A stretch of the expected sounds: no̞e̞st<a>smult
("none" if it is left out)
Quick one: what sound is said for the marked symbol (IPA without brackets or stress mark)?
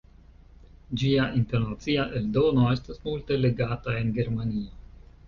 a